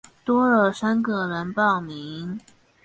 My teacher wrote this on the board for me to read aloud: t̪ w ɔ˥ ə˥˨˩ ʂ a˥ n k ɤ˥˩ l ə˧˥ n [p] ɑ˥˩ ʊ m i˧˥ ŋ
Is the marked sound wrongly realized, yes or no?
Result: no